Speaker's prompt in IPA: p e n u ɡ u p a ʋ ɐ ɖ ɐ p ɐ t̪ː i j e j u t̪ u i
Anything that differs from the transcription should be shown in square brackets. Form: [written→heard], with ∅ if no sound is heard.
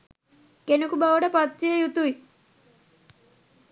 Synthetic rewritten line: [p→k] e n u [ɡ→k] u [p→b] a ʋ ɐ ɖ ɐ p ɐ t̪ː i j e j u t̪ u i